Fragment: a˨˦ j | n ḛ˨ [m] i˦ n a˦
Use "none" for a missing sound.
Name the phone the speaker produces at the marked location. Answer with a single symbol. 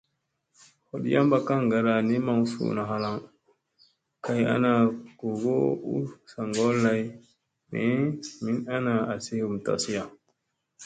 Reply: m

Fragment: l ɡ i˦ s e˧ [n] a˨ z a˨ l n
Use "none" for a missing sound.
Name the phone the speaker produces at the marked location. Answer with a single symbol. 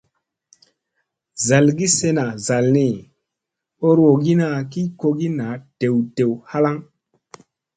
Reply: n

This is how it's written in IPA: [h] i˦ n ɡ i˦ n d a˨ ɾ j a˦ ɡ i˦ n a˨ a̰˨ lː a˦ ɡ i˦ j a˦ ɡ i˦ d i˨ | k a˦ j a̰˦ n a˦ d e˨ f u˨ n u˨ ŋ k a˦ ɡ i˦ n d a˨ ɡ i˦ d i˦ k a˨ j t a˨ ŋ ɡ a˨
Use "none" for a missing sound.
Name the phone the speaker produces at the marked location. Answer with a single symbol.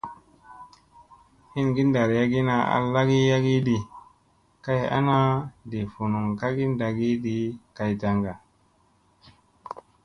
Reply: h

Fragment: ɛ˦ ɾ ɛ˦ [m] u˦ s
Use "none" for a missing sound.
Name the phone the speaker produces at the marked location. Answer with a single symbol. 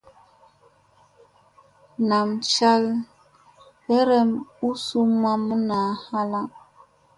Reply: m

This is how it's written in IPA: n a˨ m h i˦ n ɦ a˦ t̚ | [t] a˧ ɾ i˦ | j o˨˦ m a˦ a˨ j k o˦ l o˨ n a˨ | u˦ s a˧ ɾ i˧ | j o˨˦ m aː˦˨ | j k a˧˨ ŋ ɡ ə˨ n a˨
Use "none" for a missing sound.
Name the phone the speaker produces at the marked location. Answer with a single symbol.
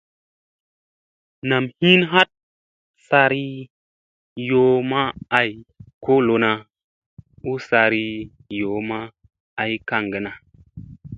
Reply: s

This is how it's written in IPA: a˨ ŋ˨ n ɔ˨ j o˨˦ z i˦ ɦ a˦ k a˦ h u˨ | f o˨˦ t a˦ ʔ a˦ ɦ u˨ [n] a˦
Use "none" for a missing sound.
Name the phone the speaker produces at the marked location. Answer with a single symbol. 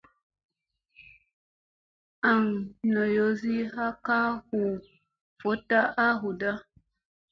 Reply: d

